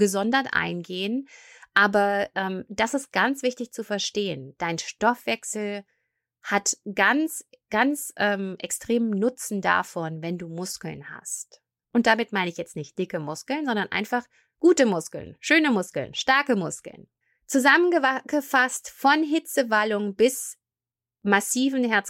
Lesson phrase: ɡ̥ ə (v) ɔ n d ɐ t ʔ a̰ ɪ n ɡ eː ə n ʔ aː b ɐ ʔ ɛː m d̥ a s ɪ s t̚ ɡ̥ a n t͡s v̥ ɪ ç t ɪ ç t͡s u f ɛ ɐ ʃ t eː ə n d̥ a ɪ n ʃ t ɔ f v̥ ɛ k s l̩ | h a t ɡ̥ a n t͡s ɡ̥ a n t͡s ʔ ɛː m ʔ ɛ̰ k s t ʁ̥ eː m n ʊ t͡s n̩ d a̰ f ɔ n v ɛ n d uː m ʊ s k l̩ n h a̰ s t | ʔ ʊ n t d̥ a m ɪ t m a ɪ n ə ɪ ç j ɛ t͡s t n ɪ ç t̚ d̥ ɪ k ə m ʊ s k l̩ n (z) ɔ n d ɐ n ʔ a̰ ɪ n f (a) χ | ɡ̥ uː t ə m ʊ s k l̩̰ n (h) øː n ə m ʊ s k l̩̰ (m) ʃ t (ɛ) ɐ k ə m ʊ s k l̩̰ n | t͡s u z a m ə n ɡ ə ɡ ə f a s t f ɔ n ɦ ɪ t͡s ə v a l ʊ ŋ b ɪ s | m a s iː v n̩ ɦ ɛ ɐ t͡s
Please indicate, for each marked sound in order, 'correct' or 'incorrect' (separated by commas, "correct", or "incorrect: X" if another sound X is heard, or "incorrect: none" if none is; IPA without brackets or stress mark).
incorrect: z, correct, correct, incorrect: ʃ, incorrect: n, incorrect: a